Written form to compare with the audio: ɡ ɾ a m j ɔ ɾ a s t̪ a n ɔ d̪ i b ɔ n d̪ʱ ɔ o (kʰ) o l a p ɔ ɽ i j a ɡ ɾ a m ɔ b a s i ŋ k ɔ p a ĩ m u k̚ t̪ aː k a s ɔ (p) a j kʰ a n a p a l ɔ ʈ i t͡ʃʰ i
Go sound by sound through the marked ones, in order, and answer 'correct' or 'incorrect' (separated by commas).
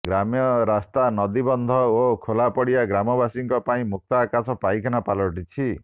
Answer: correct, correct